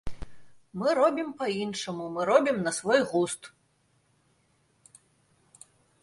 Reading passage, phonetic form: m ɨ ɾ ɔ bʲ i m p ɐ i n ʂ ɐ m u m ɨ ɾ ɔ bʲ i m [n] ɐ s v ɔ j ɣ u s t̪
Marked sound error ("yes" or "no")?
no